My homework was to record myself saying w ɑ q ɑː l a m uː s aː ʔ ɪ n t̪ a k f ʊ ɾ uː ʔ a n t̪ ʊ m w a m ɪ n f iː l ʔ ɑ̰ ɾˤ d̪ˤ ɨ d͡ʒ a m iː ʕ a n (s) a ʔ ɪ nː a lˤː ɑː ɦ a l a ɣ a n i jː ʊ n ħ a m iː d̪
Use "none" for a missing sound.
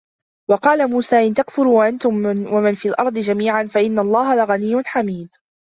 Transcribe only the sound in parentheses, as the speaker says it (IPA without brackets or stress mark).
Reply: f